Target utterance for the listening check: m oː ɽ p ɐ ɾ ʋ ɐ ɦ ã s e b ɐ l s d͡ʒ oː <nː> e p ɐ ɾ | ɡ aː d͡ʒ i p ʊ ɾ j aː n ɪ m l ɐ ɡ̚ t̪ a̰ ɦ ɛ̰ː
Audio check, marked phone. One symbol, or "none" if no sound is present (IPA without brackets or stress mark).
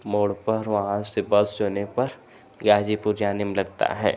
n